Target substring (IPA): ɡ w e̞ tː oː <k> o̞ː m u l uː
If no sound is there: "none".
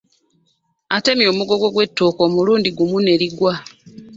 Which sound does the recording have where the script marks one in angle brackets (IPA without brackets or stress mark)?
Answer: k